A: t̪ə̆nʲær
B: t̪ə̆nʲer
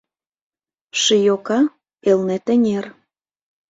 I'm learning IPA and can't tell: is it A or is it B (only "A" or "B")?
B